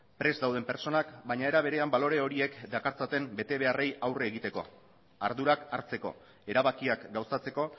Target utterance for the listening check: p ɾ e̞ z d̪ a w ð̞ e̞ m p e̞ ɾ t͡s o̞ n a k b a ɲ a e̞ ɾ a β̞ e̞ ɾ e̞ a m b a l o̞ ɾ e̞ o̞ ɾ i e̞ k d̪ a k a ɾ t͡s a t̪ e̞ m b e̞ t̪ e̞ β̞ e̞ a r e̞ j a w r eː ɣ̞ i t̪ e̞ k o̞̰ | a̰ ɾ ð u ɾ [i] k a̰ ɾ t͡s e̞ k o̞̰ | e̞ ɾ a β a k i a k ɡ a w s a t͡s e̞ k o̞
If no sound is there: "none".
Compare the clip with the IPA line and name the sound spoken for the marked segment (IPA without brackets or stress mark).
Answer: a